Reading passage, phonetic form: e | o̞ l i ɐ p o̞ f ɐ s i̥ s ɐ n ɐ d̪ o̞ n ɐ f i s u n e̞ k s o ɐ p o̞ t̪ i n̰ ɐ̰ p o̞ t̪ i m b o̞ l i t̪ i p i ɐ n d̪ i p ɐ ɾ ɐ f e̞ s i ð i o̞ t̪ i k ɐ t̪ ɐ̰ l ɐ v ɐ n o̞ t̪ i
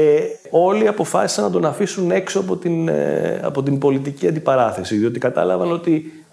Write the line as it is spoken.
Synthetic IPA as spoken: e | o̞ l i ɐ p o̞ f ɐ s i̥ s ɐ n ɐ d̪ o̞ n ɐ f i s u n e̞ k s o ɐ p o̞ t̪ i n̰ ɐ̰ p o̞ t̪ i m b o̞ l i t̪ i c i ɐ n d̪ i p ɐ ɾ ɐ θ e̞ s i ð i o̞ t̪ i k ɐ t̪ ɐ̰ l ɐ v ɐ n o̞ t̪ i